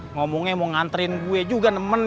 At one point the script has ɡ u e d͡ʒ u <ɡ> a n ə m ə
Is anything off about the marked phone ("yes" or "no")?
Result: no